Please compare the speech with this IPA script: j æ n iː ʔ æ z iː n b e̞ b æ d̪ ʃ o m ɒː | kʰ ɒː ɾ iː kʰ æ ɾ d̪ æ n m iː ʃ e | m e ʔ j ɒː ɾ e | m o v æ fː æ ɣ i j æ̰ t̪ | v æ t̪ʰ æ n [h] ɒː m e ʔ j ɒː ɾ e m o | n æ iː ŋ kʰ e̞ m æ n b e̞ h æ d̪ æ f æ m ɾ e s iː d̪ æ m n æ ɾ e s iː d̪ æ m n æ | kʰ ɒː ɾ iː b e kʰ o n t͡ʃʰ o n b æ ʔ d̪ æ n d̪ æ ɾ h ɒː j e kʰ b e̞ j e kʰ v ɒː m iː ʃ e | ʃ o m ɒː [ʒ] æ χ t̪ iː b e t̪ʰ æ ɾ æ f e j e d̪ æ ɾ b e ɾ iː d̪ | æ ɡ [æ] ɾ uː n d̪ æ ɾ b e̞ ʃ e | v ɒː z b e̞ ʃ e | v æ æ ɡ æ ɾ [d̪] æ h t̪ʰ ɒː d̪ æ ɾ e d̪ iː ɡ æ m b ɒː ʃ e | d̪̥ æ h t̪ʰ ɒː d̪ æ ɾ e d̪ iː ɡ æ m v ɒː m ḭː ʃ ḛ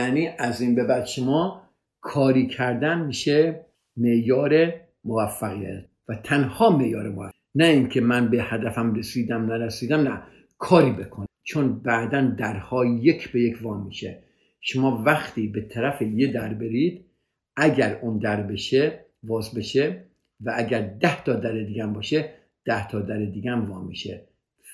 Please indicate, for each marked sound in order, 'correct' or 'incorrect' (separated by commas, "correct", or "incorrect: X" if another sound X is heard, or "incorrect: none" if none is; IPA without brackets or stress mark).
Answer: correct, incorrect: v, correct, correct